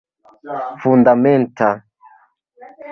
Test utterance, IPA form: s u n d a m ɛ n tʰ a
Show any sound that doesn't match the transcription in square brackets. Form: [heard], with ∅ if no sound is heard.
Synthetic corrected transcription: [f] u n d a m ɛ n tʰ a